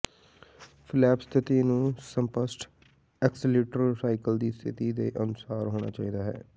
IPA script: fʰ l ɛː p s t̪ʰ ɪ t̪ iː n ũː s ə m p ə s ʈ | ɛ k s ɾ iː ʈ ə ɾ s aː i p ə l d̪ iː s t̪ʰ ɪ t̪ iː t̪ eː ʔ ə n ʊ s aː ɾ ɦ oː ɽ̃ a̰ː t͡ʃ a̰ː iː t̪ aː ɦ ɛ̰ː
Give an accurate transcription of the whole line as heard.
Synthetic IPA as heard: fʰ l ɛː p s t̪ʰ ɪ t̪ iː n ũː s ə m p ə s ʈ | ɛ k s l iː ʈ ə ɾ s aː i k ə l d̪ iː s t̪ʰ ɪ t̪ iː d̪ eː ʔ ə n ʊ s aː ɾ ɦ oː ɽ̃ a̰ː t͡ʃ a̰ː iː d̪ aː ɦ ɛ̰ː

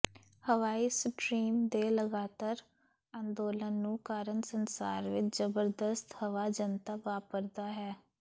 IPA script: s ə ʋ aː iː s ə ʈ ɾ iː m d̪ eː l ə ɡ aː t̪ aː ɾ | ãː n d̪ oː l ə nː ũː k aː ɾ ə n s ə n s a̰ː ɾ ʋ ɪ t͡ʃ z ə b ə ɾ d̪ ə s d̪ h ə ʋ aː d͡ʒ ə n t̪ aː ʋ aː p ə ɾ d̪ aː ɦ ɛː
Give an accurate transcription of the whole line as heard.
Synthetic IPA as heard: h ə ʋ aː iː s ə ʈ ɾ iː m d̪ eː l ə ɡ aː t̪ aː ɾ | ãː n d̪ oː l ə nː ũː k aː ɾ ə n s ə n s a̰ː ɾ ʋ ɪ t͡ʃ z ə b ə ɾ d̪ ə s t̪ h ə ʋ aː d͡ʒ ə n t̪ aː ʋ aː p ə ɾ d̪ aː ɦ ɛː

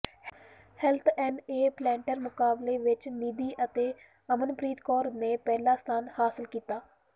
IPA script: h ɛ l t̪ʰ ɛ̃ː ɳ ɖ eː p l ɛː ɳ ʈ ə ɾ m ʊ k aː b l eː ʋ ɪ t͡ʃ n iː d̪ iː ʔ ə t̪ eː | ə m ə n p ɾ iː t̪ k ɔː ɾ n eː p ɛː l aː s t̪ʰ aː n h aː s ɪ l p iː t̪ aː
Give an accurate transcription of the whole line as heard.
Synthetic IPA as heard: h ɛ l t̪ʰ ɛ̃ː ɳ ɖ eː p l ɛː ɳ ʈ ə ɾ m ʊ k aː b l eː ʋ ɪ t͡ʃ n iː d̪ iː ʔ ə t̪ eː | ə m ə n p ɾ iː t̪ k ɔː ɾ n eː p ɛː l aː s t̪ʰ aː n h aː s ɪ l k iː t̪ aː

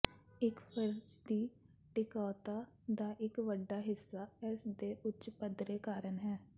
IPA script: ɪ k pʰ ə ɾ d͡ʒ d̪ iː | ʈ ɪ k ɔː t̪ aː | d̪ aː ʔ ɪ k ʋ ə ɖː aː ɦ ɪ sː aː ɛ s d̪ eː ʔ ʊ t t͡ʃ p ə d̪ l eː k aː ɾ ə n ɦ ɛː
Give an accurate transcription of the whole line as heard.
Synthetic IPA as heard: ɪ k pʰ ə ɾ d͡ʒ d̪ iː | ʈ ɪ k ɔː t̪ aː | d̪ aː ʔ ɪ k ʋ ə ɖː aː ɦ ɪ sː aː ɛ s d̪ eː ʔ ʊ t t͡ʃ p ə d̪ ɾ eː k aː ɾ ə n ɦ ɛː

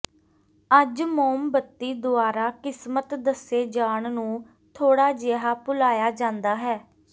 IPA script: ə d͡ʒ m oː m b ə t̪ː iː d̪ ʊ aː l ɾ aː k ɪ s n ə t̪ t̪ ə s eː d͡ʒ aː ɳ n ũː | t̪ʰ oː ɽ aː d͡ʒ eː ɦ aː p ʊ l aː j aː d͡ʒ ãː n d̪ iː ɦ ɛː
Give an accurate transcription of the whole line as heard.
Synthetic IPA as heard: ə d͡ʒ m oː m b ə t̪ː iː d̪ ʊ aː ɾ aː k ɪ s m ə t̪ d̪ ə s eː d͡ʒ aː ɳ n ũː | t̪ʰ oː ɽ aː d͡ʒ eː ɦ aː p ʊ l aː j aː d͡ʒ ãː n d̪ aː ɦ ɛː

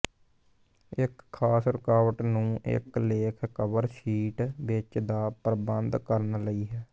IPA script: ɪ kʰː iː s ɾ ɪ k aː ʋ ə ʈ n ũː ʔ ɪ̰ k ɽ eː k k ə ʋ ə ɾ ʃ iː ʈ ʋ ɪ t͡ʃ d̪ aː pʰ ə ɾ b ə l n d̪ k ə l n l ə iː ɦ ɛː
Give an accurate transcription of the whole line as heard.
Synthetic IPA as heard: ɪ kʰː aː s ɾ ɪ k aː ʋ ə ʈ n ũː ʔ ɪ̰ k l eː kʰ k ə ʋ ə ɾ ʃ iː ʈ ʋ ɪ t͡ʃ d̪ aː p ə ɾ b ə n d̪ k ə ɾ n l ə iː ɦ ɛː

